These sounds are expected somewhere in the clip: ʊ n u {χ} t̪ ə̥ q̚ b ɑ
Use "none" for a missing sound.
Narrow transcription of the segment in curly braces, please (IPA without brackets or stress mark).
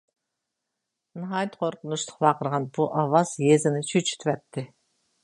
ʃ